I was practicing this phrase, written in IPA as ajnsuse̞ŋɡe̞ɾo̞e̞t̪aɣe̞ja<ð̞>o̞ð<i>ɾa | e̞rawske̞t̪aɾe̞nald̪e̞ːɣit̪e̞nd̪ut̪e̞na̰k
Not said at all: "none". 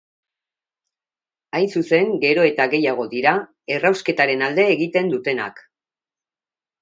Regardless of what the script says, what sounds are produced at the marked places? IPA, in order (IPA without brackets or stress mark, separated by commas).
ɣ̞, i